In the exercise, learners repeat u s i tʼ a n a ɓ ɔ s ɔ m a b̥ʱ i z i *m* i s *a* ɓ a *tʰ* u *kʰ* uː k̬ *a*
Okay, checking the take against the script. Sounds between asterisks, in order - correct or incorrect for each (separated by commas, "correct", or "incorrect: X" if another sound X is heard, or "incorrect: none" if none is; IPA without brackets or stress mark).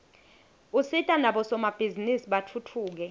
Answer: incorrect: n, incorrect: i, correct, incorrect: tʰ, incorrect: ɛ